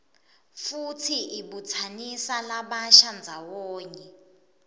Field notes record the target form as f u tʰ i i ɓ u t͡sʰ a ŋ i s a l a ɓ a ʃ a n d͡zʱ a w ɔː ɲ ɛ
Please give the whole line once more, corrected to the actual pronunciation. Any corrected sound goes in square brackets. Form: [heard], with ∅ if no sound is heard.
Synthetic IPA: f u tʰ i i ɓ u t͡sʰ a [n] i s a l a ɓ a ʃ a n d͡zʱ a w ɔː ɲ ɛ